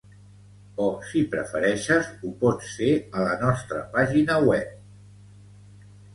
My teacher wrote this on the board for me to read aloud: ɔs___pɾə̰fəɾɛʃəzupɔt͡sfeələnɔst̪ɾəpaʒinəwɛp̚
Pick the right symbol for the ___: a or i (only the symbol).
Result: i